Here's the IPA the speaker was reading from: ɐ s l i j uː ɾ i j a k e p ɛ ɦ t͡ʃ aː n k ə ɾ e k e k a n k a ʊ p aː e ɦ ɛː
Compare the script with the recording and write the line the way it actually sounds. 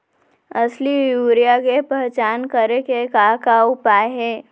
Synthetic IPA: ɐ s l i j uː ɾ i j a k e p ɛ ɦ t͡ʃ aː n k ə ɾ e k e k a k a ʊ p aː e ɦ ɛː